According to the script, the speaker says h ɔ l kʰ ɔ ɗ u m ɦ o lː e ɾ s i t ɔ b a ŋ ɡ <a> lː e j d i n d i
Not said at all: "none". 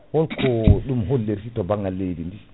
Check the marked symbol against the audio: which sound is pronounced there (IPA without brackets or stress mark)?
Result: a